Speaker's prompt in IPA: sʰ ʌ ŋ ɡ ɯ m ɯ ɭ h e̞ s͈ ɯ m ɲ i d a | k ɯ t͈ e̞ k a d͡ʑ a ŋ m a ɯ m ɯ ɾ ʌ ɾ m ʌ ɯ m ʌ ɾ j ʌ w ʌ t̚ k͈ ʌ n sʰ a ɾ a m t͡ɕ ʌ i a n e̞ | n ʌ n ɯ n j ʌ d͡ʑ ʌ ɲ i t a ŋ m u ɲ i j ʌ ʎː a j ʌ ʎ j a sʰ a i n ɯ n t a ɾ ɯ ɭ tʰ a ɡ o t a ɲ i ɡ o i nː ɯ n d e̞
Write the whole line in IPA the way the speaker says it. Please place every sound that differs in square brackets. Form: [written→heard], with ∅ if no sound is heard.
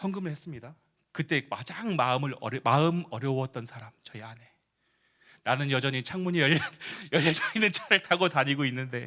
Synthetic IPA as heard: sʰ ʌ ŋ ɡ ɯ m ɯ ɭ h e̞ s͈ ɯ m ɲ i d a | k ɯ t͈ e̞ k a d͡ʑ a ŋ m a ɯ m ɯ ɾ ʌ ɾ m [ʌ→a] ɯ m ʌ ɾ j ʌ w ʌ t̚ [k͈→t͈] ʌ n sʰ a ɾ a m t͡ɕ ʌ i a n e̞ | n [ʌ→a] n ɯ n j ʌ d͡ʑ ʌ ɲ i [t→t͡ɕʰ] a ŋ m u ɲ i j ʌ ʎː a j ʌ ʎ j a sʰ a i n ɯ n [t→t͡ɕʰ] a ɾ ɯ ɭ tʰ a ɡ o t a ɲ i ɡ o i nː ɯ n d e̞

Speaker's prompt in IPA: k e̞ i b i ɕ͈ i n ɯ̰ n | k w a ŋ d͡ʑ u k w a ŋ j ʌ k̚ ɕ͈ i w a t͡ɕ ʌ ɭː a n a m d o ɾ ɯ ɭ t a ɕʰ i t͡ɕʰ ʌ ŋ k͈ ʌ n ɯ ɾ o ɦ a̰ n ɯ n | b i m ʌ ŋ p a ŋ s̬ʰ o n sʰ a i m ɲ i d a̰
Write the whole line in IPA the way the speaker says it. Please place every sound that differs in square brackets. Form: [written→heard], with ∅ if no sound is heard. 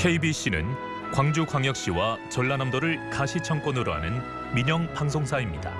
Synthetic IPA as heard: [k→kʰ] e̞ i b i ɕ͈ i n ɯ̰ n | k w a ŋ d͡ʑ u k w a ŋ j ʌ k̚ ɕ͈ i w a t͡ɕ ʌ ɭː a n a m d o ɾ ɯ ɭ [t→k] a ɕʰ i t͡ɕʰ ʌ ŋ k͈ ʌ n ɯ ɾ o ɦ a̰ n ɯ n | [b→m] i [m→ɲ] ʌ ŋ p a ŋ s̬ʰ o [n→ŋ] sʰ a i m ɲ i d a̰

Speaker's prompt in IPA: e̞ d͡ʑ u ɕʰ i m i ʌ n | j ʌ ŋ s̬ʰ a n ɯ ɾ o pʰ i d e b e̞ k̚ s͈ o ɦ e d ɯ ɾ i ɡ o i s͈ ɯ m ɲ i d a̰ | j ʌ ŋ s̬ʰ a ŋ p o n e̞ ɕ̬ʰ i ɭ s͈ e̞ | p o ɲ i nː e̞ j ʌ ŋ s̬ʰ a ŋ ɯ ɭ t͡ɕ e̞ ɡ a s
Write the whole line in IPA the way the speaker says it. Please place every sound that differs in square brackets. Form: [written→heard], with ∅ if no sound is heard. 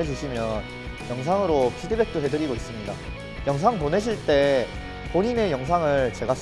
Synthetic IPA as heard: e̞ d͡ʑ u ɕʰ i m [i→j] ʌ n | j ʌ ŋ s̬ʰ a [n→ŋ] ɯ ɾ o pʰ i d e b e̞ k̚ [s͈→t͈] o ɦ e d ɯ ɾ i ɡ o i s͈ ɯ m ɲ i d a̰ | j ʌ ŋ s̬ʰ a ŋ p o n e̞ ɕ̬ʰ i ɭ [s͈→t͈] e̞ | p o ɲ i [nː→n] e̞ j ʌ ŋ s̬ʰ a ŋ ɯ ɭ t͡ɕ e̞ ɡ a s

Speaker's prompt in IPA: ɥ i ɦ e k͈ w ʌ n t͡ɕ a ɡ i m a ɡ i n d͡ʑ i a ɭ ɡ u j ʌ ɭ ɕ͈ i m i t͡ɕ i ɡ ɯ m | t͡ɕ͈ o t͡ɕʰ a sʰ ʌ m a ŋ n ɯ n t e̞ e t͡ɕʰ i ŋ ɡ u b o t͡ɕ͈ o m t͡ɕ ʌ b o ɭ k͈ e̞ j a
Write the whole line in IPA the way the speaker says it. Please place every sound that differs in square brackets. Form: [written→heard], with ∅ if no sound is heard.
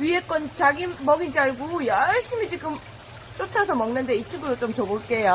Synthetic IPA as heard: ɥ i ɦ e k͈ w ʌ n t͡ɕ a ɡ i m [a→ʌ] ɡ i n d͡ʑ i a ɭ ɡ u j ʌ ɭ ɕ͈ i m i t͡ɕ i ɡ ɯ m | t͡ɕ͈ o t͡ɕʰ a sʰ ʌ m [a→ʌ] ŋ n ɯ n [t→d] e̞ [e→i] t͡ɕʰ i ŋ ɡ u [b→d] o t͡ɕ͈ o m t͡ɕ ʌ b o ɭ k͈ e̞ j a

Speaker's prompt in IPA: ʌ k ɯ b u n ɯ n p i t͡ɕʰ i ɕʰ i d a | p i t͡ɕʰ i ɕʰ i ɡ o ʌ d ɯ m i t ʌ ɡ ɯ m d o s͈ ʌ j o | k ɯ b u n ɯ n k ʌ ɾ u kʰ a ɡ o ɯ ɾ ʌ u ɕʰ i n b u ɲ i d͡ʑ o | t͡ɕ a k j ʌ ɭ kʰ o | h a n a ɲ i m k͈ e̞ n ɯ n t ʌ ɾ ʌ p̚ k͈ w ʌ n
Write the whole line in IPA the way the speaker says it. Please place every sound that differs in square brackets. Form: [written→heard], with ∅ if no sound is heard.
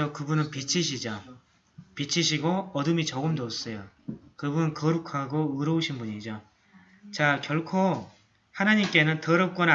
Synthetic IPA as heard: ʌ k ɯ b u n ɯ n p i t͡ɕʰ i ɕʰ i [d→d͡ʑ] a | p i t͡ɕʰ i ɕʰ i ɡ o ʌ d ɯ m i [t→t͡ɕ] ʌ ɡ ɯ m d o s͈ ʌ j o | k ɯ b u n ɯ n k ʌ ɾ u kʰ a ɡ o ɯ ɾ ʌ u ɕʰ i n b u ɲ i d͡ʑ o | t͡ɕ a k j ʌ ɭ kʰ o | h a n a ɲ i m k͈ e̞ n ɯ n t ʌ ɾ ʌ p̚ k͈ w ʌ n

